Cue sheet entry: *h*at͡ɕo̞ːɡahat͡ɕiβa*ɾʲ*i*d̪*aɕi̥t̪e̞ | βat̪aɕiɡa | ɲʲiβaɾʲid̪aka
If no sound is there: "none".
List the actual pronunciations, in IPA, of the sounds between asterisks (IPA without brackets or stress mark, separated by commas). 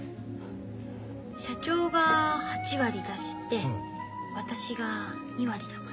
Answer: ɕ, ɾʲ, d̪